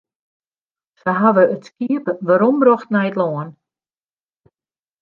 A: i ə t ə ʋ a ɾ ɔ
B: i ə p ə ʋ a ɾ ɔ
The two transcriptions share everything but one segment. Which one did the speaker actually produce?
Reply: B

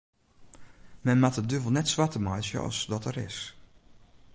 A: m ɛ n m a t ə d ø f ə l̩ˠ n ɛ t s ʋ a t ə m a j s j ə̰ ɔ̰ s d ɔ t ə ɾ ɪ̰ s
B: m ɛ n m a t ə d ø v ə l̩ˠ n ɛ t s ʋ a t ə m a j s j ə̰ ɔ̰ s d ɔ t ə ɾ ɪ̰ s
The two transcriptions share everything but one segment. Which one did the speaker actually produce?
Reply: B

